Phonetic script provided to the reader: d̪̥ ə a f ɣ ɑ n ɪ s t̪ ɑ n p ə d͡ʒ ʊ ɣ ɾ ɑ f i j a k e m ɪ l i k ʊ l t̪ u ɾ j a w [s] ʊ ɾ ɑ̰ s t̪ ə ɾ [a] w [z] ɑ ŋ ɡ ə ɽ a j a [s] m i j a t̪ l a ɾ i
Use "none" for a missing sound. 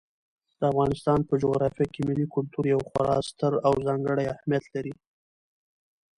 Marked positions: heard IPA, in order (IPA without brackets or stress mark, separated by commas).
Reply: x, a, z, h